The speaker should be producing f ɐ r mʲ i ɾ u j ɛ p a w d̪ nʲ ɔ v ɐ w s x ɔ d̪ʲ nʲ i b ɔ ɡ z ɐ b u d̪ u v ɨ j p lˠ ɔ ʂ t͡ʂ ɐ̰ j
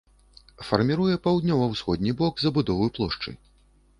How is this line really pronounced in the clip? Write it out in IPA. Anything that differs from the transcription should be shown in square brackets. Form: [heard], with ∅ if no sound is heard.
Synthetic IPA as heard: f ɐ r mʲ i ɾ u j ɛ p a w d̪ nʲ ɔ v ɐ w s x ɔ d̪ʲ nʲ i b ɔ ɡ z ɐ b u d̪ [ɔ] v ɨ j p lˠ ɔ ʂ t͡ʂ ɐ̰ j